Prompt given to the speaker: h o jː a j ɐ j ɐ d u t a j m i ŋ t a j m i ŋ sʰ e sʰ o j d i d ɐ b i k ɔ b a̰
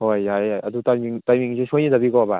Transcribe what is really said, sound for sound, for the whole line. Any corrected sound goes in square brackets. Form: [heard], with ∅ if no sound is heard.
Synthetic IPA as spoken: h o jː a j [a] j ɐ d u t a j m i ŋ t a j m i ŋ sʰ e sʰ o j [n] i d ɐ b i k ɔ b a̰